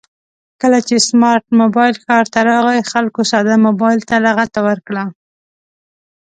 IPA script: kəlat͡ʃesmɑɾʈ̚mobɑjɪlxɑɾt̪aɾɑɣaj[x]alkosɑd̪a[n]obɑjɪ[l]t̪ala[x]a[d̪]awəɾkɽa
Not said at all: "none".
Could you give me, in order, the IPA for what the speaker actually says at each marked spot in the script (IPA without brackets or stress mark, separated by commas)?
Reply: x, m, l, ɣ, t̪